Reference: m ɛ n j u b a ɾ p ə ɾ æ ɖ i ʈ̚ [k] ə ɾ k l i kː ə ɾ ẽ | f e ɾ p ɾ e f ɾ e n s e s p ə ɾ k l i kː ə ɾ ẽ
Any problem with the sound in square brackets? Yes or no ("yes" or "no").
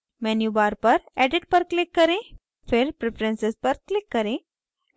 yes